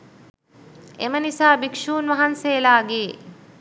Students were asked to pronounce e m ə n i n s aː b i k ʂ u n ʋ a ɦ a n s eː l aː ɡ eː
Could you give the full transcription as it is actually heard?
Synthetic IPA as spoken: e m ə n i s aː b i k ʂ uː n ʋ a ɦ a n s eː l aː ɡ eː